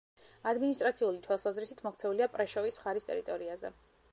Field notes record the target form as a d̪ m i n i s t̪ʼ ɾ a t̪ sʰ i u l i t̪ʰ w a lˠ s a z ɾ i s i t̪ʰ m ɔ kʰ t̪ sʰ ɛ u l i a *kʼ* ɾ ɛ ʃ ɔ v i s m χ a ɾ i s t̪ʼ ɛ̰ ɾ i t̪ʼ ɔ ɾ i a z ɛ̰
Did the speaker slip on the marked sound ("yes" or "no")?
yes